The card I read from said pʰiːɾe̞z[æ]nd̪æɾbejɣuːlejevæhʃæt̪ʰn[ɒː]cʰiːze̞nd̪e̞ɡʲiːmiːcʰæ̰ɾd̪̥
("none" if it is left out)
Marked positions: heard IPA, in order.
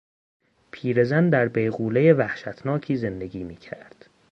æ, ɒː

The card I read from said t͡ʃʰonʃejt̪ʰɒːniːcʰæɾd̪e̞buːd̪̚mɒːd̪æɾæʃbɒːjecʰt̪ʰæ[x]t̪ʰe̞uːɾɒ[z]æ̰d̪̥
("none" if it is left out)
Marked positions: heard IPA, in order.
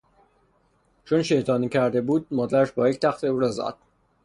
x, z

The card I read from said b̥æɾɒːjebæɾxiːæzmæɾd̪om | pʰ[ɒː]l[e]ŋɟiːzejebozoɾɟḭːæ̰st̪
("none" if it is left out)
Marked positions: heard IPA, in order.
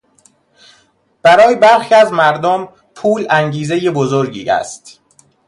uː, æ

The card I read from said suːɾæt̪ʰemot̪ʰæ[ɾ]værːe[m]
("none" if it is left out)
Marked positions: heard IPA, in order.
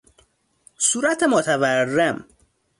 none, m

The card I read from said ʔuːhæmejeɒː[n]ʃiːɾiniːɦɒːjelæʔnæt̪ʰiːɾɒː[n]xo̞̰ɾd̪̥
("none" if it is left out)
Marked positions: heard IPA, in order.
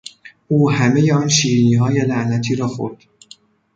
n, none

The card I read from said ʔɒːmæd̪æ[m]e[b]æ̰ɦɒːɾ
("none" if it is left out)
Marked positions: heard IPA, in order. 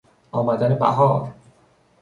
n, b

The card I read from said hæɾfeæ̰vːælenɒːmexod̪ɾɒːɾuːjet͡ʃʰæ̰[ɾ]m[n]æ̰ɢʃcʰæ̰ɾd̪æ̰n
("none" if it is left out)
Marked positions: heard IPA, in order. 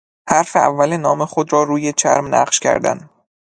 ɾ, n

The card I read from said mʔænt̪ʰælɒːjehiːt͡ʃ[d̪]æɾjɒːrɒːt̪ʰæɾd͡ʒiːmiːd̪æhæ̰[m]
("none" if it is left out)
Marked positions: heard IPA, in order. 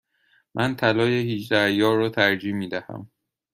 d̪, m

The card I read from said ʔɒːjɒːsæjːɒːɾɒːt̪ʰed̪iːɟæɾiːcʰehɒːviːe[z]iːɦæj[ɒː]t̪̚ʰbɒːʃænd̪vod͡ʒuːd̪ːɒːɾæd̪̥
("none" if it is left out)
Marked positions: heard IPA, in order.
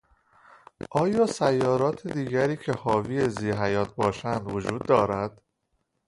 z, ɒː

